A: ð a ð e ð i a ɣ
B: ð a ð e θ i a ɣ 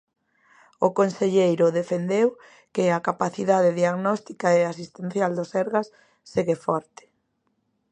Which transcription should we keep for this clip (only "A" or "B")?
A